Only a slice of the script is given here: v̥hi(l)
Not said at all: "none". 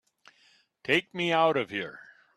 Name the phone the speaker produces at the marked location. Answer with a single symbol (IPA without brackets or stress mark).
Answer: ɹ